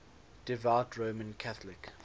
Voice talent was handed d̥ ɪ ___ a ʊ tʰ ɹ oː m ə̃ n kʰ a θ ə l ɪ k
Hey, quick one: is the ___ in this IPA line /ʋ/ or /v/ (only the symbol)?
v